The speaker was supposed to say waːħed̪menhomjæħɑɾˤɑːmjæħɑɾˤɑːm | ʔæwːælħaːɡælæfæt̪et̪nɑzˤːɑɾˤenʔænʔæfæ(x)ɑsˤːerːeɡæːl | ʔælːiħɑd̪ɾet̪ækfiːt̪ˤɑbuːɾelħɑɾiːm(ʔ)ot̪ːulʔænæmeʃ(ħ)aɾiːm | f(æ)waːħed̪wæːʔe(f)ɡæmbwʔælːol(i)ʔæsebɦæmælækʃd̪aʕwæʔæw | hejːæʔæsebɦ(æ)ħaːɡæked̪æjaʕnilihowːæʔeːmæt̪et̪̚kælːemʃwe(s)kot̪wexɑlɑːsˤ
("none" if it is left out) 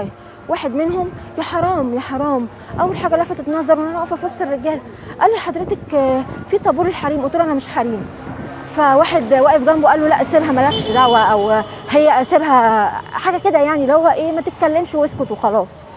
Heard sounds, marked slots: f, ʔ, ħ, æ, f, æ, æ, s

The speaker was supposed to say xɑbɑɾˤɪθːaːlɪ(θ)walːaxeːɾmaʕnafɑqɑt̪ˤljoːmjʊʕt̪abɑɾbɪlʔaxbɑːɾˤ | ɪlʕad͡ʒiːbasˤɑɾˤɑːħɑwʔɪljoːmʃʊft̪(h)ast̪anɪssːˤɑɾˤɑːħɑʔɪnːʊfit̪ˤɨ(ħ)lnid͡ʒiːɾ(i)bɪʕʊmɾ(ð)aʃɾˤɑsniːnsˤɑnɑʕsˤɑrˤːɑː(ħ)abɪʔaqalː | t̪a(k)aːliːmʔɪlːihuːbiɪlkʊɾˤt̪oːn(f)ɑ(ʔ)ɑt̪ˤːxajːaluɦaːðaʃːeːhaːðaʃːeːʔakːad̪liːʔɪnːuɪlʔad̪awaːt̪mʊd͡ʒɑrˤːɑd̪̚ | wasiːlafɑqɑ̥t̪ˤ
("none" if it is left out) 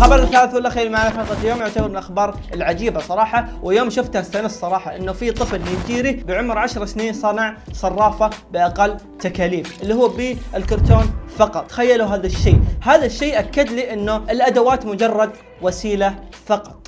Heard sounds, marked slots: θ, h, f, i, ʕ, f, k, f, q

